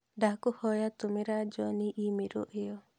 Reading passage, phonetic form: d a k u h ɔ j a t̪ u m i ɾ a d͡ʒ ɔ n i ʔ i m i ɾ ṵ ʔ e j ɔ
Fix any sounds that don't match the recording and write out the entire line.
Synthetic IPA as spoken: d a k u h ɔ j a t̪ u m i ɾ a d͡ʒ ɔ n i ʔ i m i ɾ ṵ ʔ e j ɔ